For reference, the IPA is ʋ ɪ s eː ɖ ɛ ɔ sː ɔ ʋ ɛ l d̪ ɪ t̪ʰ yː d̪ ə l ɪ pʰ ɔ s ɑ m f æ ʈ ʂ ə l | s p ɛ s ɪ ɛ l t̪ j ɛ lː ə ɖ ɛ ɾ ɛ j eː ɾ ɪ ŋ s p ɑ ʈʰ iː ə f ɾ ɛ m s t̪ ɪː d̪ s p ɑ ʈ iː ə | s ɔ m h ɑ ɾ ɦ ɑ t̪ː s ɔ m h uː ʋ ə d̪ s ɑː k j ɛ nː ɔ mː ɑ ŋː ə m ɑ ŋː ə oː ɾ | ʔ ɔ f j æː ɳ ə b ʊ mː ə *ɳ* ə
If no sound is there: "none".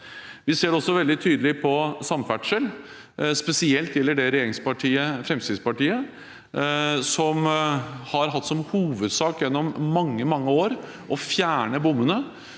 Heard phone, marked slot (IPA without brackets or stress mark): n